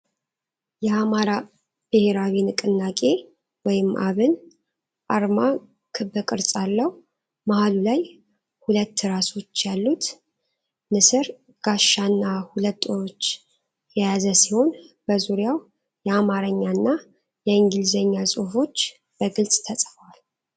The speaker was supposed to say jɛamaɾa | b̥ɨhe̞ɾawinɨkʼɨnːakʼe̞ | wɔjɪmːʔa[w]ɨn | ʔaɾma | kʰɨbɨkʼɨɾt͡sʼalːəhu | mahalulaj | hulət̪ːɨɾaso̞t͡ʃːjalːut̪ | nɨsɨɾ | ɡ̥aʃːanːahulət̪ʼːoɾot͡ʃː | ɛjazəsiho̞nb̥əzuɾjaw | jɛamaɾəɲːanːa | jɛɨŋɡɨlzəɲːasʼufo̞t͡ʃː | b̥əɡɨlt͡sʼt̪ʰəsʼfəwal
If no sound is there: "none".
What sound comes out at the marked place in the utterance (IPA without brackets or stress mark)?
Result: β